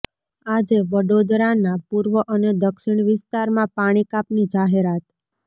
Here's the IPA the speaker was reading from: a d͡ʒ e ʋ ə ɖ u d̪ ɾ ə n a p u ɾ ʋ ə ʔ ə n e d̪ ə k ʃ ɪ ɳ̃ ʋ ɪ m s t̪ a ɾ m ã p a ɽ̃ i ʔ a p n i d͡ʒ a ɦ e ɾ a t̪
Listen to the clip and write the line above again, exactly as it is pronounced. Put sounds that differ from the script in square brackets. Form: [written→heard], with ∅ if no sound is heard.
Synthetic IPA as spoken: a d͡ʒ e ʋ ə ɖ [u→o] d̪ ɾ [ə→a] n a p u ɾ ʋ ə ʔ ə n e d̪ ə k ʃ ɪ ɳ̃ ʋ ɪ [m→∅] s t̪ a ɾ m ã p a ɽ̃ i [ʔ→k] a p n i d͡ʒ a ɦ e ɾ a t̪